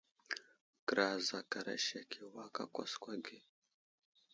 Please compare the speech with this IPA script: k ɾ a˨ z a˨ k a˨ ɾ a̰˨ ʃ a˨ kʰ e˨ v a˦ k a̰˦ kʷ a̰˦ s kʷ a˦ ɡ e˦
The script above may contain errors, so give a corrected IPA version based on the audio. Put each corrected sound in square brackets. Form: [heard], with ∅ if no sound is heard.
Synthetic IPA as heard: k ɾ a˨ z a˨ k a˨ ɾ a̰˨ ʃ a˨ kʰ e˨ [w] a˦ k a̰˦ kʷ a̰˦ s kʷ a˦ ɡ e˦